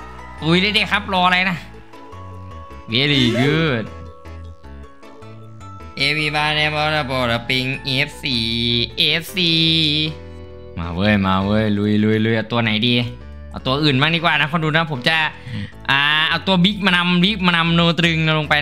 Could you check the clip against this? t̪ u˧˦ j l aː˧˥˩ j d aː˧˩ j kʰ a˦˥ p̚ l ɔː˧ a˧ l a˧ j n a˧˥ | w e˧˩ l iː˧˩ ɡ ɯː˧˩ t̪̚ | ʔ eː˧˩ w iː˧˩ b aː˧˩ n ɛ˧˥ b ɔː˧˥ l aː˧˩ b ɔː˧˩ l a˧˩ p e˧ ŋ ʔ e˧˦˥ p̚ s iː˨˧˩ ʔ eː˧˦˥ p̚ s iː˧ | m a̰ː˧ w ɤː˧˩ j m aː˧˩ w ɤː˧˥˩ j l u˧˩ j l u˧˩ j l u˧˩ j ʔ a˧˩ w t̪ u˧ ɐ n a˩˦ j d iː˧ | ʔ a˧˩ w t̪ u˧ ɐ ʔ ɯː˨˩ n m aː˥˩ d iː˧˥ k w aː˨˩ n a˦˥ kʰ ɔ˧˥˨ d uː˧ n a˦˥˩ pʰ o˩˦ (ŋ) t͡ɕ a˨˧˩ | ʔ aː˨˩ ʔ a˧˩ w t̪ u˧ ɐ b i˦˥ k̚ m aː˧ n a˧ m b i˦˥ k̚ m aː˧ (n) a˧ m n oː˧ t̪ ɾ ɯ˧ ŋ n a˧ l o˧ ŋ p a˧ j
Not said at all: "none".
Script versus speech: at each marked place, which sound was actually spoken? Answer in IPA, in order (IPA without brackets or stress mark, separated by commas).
m, n